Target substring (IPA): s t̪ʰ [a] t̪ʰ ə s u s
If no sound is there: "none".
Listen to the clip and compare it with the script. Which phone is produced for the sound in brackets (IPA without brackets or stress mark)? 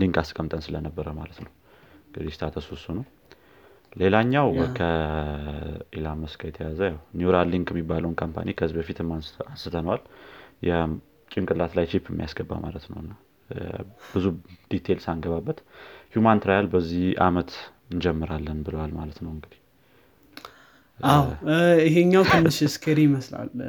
a